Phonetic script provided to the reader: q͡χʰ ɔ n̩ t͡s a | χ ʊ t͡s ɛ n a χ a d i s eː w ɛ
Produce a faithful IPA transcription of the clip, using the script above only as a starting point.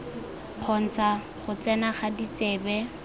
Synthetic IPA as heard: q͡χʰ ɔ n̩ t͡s a | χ ʊ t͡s ɛ n a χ a d i t͡s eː b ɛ